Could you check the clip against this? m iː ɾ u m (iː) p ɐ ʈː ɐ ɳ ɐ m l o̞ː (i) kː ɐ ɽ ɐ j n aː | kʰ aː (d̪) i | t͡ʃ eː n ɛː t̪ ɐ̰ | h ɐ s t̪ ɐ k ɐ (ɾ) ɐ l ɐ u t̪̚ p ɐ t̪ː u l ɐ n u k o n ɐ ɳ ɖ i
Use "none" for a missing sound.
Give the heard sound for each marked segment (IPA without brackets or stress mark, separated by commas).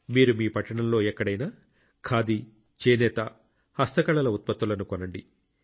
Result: iː, ɛ, d̪, ɭ